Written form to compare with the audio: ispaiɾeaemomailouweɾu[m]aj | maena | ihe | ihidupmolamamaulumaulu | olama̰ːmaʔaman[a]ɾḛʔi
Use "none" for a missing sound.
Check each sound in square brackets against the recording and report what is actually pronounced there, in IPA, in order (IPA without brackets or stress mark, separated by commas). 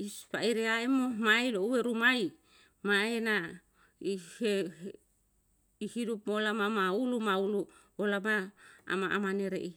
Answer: m, e